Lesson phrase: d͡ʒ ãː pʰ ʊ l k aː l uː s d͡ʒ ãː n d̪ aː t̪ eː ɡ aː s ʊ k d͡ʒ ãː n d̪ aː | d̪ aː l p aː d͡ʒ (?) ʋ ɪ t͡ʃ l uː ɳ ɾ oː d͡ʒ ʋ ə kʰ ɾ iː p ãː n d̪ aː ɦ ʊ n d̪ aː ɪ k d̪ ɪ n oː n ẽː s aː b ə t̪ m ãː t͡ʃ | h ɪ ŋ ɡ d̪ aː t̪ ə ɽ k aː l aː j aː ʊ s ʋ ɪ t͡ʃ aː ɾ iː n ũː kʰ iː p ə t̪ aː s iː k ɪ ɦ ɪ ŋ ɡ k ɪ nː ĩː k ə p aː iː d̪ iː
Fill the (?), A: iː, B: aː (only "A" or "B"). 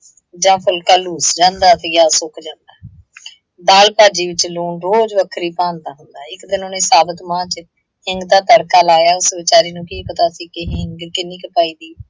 A